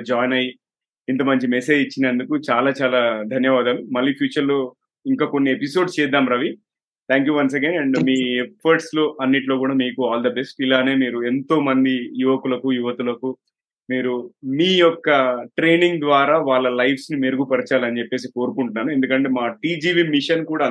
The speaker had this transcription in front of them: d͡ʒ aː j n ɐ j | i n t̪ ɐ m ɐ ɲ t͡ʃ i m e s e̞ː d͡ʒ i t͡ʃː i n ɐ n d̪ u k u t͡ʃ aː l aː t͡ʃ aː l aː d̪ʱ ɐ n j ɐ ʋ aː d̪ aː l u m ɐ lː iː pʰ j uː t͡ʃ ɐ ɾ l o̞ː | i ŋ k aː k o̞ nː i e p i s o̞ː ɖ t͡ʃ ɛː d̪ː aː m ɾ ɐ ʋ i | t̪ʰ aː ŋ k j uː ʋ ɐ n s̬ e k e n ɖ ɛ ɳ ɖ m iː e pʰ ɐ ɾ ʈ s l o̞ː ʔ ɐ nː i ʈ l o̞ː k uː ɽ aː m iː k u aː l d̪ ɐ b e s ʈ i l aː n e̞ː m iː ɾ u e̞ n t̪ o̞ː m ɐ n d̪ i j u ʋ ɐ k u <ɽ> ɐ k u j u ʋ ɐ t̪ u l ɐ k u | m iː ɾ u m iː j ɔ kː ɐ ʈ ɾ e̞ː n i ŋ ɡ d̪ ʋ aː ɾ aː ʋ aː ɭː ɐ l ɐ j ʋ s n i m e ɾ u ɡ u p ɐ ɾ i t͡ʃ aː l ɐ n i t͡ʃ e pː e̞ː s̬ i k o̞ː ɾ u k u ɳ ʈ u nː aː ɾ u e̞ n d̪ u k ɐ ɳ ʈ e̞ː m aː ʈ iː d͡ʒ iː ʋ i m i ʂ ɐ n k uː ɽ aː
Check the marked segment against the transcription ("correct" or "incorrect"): incorrect